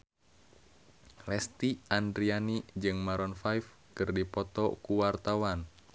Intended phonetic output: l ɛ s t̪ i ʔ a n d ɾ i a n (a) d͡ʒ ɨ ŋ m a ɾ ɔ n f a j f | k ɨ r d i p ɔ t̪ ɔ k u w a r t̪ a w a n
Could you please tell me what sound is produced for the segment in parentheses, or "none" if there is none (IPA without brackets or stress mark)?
i